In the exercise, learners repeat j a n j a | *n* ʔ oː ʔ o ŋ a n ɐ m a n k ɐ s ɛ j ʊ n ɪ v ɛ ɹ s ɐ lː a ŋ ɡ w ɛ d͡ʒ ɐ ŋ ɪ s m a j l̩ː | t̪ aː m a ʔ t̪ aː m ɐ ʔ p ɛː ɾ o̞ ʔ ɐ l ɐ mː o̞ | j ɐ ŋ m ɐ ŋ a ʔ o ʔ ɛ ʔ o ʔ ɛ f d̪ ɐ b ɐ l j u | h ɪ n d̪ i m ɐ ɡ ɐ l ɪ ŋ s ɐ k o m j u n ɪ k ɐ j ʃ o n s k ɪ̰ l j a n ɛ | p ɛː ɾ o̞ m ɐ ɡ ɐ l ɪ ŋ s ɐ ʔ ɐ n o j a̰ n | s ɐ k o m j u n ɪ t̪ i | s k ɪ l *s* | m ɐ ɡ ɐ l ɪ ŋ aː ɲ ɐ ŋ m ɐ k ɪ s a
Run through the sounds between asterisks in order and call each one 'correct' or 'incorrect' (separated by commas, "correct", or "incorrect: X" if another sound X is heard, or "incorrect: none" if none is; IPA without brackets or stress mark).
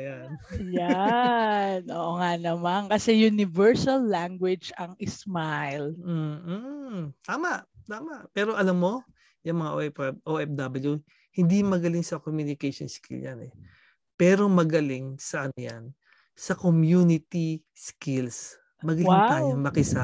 correct, correct